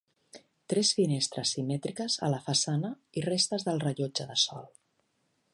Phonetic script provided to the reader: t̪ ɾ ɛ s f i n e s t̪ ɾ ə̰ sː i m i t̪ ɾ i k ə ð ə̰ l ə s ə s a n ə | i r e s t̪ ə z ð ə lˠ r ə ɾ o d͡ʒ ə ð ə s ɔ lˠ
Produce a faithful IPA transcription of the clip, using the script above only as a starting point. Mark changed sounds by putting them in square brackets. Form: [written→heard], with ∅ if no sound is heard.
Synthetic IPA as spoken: t̪ ɾ ɛ s f i n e s t̪ ɾ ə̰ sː i m [i→ɛ] t̪ ɾ i k ə [ð→z] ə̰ l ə [s→f] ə s a n ə | i r e s t̪ ə z ð ə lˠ r ə [ɾ→ʎ] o d͡ʒ ə ð ə s ɔ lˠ